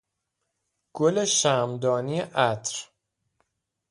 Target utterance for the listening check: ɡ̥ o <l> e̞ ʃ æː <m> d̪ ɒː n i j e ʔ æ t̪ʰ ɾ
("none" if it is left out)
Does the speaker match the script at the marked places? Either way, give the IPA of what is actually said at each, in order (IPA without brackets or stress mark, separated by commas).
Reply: l, m